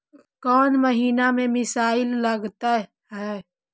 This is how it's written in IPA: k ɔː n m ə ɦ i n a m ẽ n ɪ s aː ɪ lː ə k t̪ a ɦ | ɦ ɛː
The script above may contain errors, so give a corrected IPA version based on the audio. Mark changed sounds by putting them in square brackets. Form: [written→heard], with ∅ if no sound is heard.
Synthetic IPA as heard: k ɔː n m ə ɦ [i→iː] n a m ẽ [n→m] ɪ s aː ɪ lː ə [k→ɡ] t̪ a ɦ | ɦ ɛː